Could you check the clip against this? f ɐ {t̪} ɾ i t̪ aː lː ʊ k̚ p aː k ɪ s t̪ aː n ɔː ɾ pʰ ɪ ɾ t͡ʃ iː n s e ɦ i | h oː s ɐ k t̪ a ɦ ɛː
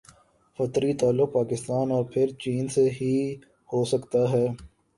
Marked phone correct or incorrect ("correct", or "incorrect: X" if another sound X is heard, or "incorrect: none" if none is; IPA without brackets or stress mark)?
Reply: correct